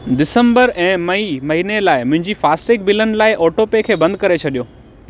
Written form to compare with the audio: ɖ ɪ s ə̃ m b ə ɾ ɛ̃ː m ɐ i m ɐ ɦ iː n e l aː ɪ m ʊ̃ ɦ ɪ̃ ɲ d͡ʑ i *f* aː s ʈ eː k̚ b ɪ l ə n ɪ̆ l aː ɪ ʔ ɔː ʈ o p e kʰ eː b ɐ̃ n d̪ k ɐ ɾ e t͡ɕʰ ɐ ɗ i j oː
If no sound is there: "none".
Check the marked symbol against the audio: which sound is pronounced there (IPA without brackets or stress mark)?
f